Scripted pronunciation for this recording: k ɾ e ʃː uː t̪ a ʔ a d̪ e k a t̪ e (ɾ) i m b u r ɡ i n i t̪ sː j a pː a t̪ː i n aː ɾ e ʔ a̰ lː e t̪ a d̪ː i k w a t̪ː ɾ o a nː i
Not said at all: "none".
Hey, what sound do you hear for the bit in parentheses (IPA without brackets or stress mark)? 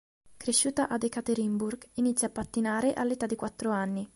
ɾ